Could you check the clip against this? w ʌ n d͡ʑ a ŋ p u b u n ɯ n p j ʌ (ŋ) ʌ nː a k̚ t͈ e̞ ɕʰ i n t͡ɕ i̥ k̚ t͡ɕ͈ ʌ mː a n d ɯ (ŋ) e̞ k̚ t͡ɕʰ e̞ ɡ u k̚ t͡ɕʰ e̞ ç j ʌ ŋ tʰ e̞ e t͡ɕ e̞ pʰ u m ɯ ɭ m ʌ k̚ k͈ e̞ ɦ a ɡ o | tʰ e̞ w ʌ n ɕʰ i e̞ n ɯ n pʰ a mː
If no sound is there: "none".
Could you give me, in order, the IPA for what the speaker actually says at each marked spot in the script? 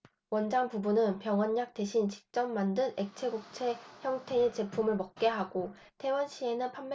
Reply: ŋ, n

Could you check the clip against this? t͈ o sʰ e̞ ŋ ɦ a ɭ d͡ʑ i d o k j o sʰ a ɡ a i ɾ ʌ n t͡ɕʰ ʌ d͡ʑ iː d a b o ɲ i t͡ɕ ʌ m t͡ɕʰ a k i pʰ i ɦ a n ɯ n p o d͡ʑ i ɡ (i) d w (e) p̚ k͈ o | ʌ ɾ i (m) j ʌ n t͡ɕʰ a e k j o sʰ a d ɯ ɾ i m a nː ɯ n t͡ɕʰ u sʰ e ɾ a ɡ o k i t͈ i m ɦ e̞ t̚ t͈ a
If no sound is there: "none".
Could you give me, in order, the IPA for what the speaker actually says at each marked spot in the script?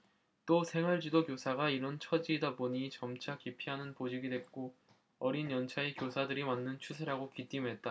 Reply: i, e, n

